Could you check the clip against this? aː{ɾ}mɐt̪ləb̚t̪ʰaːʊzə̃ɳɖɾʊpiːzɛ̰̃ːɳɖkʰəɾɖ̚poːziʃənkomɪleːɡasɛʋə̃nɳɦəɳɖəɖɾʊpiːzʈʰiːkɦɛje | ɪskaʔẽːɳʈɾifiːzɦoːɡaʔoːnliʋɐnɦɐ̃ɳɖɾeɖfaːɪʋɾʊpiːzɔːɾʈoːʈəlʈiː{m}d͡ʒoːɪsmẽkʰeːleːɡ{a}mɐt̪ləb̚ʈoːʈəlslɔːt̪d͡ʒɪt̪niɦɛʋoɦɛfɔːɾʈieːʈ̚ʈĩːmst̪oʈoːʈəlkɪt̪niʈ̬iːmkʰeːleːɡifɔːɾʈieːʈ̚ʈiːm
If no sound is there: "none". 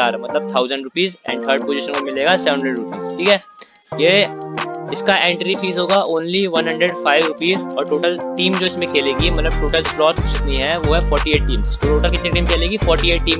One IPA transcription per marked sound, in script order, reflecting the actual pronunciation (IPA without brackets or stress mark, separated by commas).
ɾ, m, i